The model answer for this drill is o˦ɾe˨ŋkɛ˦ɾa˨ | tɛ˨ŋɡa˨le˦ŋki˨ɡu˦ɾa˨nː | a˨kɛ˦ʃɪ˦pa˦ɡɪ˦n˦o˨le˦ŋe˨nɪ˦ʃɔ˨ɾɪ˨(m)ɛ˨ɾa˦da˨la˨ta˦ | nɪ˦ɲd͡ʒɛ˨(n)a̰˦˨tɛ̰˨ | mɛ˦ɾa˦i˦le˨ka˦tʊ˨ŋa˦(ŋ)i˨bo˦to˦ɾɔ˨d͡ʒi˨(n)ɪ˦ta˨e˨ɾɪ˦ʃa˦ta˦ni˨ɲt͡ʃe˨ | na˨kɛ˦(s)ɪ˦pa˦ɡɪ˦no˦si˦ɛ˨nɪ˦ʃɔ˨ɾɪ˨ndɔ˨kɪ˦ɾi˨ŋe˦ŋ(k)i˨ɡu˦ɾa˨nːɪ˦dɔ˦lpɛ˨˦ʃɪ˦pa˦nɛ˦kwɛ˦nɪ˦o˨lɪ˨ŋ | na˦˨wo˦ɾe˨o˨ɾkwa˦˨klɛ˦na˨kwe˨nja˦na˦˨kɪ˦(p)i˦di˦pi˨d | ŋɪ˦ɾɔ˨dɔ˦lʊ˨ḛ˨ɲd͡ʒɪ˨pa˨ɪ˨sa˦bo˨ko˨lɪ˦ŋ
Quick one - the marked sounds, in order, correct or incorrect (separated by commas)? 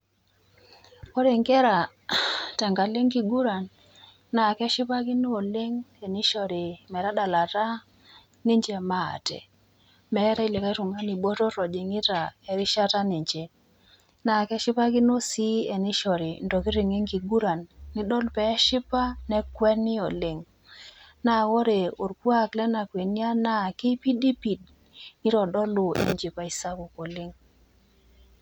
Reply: correct, incorrect, incorrect, incorrect, incorrect, incorrect, correct